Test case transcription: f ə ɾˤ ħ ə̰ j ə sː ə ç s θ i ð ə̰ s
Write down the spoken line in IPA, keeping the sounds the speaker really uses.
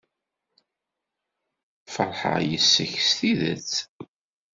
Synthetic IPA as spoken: f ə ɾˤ ħ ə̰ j ə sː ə ç s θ i ð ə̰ t͡s